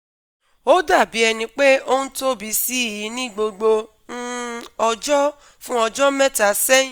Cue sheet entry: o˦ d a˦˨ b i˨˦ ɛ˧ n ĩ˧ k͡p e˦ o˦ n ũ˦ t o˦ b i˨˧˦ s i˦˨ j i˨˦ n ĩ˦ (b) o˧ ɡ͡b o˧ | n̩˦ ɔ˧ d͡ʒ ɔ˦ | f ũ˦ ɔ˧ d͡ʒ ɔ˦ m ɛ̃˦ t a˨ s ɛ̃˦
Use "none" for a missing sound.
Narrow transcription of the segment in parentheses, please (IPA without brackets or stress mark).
ɡ͡b